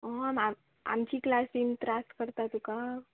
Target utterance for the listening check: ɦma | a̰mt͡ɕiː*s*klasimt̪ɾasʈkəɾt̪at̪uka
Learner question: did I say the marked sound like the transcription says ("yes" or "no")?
no